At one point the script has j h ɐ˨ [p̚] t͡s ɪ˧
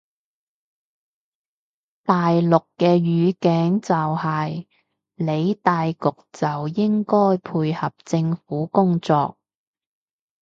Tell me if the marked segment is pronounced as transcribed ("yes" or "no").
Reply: yes